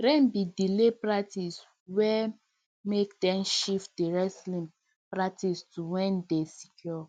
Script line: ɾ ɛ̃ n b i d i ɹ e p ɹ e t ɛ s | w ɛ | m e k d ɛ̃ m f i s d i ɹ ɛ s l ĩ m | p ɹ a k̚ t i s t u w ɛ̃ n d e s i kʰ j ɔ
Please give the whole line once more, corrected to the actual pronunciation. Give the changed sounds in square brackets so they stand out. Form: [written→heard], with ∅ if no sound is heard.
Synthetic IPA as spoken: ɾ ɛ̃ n b i d i [ɹ→l] e p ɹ [e→a] t [ɛ→i] s | w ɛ | m e k d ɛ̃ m [f→ʃ] i [s→f] d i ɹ ɛ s l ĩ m | p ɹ a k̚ t i s t u w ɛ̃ n d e s i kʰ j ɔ